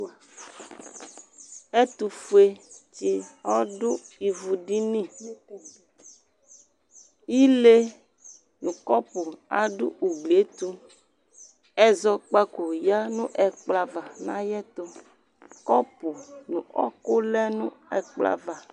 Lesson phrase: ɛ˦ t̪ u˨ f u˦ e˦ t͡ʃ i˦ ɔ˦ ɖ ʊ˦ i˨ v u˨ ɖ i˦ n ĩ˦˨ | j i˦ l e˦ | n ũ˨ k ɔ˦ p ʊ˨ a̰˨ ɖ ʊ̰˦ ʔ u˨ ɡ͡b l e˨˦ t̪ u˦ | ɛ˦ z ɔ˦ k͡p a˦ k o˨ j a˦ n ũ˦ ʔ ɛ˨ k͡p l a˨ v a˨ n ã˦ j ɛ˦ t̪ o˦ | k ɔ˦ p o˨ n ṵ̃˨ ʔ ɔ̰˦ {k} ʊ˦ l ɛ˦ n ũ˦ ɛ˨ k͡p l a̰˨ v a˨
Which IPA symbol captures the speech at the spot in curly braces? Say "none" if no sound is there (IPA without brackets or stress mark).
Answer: k